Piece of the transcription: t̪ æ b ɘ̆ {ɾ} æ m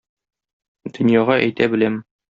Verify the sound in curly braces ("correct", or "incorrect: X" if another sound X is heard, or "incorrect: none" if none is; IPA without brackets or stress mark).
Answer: incorrect: l